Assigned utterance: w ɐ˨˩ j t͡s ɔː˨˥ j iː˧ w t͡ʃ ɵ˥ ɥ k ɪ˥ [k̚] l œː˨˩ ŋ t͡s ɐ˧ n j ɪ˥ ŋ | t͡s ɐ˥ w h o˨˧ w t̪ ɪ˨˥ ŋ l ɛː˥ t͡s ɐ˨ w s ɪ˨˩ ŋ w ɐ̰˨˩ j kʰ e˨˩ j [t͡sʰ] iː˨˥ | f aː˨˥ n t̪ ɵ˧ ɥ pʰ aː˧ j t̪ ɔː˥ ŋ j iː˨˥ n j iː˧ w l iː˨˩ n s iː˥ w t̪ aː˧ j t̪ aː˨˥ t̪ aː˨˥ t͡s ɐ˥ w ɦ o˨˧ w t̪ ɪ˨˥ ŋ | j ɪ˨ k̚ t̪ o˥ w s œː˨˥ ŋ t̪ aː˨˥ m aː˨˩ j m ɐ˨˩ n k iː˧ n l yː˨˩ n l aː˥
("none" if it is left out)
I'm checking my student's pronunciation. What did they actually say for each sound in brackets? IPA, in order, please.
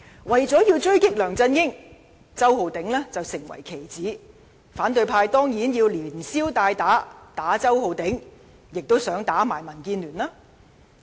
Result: k̚, t͡s

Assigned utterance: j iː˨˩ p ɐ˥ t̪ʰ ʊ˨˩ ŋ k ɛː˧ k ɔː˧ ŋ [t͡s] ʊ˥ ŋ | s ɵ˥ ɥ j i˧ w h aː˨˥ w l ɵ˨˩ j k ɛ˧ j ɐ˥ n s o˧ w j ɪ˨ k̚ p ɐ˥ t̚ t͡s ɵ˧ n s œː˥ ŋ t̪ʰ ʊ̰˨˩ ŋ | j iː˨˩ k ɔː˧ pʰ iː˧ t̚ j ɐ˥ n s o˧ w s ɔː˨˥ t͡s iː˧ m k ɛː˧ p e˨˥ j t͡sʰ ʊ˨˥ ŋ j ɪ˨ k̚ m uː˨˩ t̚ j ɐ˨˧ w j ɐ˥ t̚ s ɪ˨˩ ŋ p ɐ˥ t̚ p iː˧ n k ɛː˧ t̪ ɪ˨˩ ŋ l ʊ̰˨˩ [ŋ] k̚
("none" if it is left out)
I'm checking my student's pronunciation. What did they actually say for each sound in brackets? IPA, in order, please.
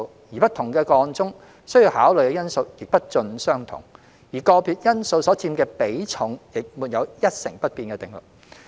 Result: t͡s, none

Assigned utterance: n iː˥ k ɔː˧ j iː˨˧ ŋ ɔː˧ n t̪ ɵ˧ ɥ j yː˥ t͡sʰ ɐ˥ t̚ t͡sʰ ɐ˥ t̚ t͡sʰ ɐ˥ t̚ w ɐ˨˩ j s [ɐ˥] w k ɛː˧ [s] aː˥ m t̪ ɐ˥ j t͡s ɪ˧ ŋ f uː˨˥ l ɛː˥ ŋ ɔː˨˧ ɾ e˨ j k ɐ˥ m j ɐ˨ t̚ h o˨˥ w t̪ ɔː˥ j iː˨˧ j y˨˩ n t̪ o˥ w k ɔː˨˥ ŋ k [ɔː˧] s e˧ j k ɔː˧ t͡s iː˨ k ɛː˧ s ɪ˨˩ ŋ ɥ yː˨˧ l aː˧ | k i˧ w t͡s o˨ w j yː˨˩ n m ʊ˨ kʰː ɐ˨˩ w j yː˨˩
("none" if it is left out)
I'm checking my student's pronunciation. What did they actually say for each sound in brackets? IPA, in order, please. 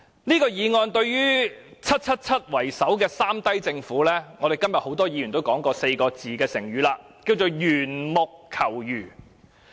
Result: ɐ˨˥, s, ɔː˧

